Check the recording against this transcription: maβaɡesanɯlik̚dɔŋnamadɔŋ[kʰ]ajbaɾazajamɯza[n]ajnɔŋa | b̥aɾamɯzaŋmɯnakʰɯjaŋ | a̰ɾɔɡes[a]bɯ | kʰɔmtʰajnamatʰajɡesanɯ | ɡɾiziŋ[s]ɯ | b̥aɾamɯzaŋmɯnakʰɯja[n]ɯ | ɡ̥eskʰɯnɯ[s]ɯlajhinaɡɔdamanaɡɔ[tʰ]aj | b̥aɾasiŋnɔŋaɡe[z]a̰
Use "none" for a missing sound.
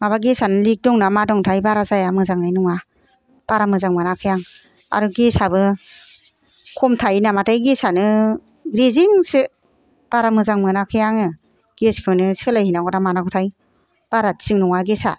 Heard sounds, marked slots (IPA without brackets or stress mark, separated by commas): tʰ, ŋ, a, s, ŋ, s, tʰ, s